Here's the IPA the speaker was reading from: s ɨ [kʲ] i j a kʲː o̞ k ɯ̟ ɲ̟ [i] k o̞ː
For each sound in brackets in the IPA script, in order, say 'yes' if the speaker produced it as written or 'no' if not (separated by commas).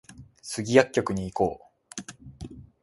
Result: no, no